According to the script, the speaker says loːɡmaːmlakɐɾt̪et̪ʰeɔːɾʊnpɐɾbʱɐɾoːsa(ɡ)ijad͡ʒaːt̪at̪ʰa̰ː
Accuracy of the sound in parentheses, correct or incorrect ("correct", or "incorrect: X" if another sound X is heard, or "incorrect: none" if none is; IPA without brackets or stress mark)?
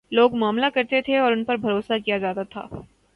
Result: incorrect: k